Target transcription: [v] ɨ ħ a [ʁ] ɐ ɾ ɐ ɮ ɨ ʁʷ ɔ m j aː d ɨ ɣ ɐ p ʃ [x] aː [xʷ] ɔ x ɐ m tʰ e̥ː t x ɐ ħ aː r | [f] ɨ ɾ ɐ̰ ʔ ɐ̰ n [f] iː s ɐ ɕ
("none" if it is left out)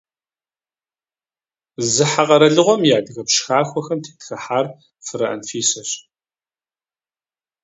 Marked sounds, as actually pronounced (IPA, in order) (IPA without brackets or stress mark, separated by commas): z, ʁ, x, xʷ, f, f